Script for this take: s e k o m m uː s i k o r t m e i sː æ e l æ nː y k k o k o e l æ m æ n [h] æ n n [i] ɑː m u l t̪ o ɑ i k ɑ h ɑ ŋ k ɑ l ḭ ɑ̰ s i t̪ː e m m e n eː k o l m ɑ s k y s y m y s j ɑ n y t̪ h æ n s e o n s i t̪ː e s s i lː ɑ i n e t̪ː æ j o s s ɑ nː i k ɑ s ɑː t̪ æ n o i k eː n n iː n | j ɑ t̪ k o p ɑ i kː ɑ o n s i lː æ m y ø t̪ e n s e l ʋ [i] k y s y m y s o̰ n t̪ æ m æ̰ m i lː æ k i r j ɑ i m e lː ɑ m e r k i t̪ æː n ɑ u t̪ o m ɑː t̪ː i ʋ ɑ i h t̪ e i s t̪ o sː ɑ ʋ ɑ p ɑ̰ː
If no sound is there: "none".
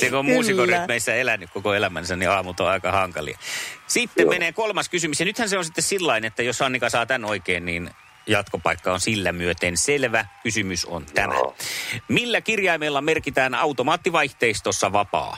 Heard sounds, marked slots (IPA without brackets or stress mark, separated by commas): s, i, æ